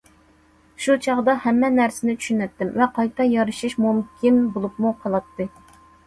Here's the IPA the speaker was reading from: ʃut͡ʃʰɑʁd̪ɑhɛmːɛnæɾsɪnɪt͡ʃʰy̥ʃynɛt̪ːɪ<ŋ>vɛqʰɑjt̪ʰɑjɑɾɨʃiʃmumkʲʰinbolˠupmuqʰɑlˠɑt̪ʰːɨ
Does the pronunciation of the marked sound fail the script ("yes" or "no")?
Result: yes